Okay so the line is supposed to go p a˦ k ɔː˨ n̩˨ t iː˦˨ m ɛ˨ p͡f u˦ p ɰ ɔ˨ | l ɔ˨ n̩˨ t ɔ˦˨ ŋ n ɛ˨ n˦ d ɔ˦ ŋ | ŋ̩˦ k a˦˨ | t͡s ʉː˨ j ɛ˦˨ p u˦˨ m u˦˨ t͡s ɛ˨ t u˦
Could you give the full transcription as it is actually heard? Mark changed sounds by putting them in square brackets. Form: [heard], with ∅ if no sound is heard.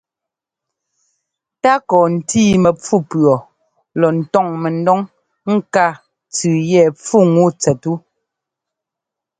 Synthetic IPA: [t] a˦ k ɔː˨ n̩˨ t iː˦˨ m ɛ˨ p͡f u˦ p ɰ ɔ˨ | l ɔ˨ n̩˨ t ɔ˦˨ ŋ [m] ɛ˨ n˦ d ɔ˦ ŋ | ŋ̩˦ k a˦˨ | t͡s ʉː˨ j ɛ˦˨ [p͡f] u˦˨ [ŋ] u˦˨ t͡s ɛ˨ t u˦